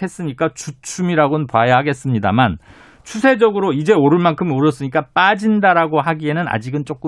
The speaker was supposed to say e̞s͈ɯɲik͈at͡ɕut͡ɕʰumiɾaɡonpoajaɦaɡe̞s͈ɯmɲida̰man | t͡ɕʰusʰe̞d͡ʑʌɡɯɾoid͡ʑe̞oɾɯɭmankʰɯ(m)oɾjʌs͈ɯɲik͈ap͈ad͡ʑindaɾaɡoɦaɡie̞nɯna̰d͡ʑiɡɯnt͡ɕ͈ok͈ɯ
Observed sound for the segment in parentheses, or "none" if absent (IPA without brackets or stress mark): m